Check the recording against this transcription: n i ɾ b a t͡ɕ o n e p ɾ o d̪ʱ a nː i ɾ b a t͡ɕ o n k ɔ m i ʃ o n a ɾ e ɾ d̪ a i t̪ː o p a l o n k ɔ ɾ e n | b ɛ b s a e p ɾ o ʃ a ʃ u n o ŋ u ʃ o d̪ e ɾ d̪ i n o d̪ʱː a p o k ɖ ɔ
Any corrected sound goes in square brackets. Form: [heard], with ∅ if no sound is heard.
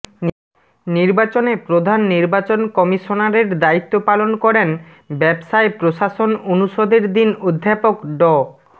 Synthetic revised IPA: n i ɾ b a t͡ɕ o n e p ɾ o d̪ʱ a nː i ɾ b a t͡ɕ o n k ɔ m i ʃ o n a ɾ e ɾ d̪ a i t̪ː o p a l o n k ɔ ɾ e n | b ɛ b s a e p ɾ o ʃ a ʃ [o] n o [n] u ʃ o d̪ e ɾ d̪ i n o d̪ʱː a p o k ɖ ɔ